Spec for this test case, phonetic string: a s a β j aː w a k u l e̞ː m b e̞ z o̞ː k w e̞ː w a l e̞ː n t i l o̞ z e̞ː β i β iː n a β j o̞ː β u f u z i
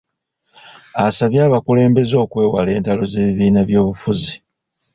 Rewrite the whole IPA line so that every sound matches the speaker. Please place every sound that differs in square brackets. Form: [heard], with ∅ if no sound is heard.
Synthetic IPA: a s a β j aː [β] a k u l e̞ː m b e̞ z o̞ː k w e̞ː w a l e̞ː n t [a] l o̞ z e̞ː β i β iː n a β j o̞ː β u f u z i